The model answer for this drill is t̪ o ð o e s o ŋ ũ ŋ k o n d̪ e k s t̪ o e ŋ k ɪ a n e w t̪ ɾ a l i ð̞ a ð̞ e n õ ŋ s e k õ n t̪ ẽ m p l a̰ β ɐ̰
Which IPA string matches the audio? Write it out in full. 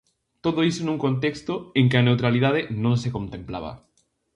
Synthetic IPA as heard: t̪ o ð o i s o n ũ ŋ k o n t̪ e k s t̪ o e ŋ k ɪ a n e w t̪ ɾ a l i ð̞ a ð̞ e n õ ŋ s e k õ n t̪ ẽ m p l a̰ β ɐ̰